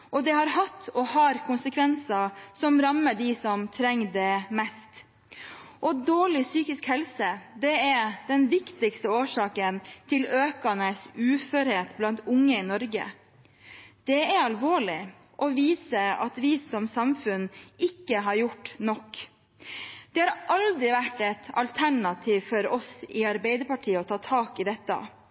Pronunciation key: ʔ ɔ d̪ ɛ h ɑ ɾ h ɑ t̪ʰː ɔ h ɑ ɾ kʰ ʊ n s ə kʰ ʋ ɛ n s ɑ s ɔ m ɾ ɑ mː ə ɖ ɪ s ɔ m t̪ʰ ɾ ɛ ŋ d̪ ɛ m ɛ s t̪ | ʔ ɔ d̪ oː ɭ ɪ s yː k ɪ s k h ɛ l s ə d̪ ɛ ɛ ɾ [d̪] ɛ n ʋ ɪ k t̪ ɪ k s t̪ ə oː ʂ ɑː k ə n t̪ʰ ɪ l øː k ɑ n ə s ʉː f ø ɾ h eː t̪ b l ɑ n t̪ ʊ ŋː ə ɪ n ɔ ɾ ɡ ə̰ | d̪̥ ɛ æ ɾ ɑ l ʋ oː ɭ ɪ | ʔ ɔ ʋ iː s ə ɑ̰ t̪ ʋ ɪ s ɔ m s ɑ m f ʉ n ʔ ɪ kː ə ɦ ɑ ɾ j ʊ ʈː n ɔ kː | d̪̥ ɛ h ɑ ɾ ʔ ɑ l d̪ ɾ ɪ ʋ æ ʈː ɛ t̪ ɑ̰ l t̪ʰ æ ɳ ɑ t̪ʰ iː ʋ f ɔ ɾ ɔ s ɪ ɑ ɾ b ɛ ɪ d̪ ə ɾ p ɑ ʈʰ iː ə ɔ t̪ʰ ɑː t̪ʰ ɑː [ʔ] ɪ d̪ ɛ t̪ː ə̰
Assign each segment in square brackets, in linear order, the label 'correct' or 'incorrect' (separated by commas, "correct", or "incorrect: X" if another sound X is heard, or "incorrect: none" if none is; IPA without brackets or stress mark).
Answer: correct, incorrect: k